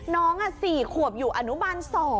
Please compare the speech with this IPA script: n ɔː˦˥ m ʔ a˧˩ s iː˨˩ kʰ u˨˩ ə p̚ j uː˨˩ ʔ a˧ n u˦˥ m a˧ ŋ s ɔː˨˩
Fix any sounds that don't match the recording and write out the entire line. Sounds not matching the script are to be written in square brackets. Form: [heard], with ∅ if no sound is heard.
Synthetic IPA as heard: n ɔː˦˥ [ŋ] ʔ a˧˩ s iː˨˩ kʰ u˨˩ ə p̚ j uː˨˩ ʔ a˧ n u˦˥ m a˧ [n] s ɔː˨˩

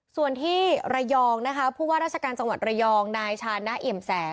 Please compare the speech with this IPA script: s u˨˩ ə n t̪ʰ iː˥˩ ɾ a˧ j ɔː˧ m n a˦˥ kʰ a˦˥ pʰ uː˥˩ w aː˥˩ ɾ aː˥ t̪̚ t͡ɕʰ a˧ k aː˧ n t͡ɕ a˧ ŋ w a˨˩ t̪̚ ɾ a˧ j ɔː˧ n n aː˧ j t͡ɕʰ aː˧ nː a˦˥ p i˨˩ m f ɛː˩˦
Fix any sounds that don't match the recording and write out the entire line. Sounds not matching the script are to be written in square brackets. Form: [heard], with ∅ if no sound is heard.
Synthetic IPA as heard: s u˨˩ ə n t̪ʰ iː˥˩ ɾ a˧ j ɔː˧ [ŋ] n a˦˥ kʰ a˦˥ pʰ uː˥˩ w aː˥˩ ɾ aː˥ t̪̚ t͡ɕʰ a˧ k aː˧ n t͡ɕ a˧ ŋ w a˨˩ t̪̚ ɾ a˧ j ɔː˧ [ŋ] n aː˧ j t͡ɕʰ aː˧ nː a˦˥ [ʔ] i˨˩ m [s] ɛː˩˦

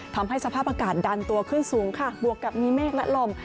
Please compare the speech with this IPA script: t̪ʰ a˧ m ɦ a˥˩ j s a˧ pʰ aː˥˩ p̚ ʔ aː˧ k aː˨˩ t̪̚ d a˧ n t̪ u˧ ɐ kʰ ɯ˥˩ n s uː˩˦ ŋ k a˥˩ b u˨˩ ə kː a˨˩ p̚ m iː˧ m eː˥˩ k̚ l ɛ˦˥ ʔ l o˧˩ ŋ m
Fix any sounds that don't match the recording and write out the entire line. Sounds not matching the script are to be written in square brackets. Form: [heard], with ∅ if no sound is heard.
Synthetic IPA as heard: t̪ʰ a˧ m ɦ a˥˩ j s a˧ pʰ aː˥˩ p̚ ʔ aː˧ k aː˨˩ t̪̚ d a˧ n t̪ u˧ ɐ kʰ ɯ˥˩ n s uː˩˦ ŋ [kʰ] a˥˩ b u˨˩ ə kː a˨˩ p̚ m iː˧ m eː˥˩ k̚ l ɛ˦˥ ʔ l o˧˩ [∅] m

